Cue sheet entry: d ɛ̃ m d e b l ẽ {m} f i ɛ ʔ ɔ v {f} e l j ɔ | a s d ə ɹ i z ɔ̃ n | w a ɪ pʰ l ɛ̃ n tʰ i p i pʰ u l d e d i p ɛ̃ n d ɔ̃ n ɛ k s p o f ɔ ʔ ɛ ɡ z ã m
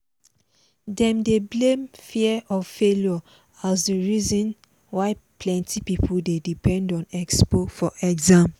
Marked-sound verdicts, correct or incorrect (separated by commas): correct, correct